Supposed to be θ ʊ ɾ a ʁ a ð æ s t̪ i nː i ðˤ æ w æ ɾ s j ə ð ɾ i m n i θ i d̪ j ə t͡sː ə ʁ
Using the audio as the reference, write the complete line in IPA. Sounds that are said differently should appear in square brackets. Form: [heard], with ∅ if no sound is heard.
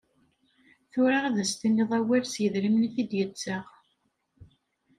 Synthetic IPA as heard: θ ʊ ɾ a ʁ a ð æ s t̪ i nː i ðˤ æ w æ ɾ s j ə ð ɾ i m n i θ i d̪ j ə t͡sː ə ʁ